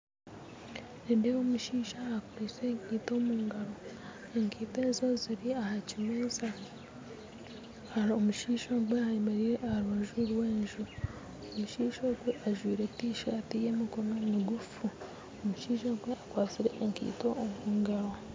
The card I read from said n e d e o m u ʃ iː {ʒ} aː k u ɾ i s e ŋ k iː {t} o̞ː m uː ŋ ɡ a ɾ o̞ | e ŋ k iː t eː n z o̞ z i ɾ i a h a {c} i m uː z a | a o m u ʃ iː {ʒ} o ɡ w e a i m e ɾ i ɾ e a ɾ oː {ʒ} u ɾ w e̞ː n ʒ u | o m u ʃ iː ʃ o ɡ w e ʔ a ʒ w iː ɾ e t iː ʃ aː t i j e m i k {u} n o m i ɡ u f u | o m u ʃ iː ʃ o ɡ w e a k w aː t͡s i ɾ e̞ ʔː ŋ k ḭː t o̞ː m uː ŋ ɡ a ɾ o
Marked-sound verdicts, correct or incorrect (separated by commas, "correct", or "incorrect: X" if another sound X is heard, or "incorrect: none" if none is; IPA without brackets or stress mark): incorrect: ʃ, correct, correct, incorrect: ʃ, correct, incorrect: o